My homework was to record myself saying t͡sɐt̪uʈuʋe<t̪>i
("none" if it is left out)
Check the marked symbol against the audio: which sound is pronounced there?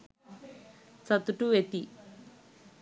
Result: t̪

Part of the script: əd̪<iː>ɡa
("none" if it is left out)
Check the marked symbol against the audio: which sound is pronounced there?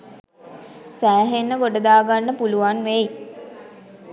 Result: aː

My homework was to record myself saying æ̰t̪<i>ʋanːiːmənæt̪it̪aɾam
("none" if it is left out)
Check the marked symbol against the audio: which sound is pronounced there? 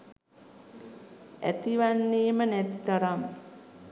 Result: i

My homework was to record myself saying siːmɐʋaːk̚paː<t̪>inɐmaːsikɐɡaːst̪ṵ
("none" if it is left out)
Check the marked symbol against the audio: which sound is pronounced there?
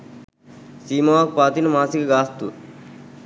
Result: t̪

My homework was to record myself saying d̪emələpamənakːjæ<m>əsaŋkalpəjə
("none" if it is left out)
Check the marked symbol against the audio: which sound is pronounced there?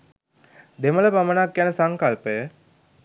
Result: n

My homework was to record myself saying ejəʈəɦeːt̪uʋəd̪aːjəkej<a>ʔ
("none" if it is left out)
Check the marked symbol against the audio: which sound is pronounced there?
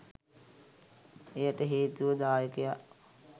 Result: a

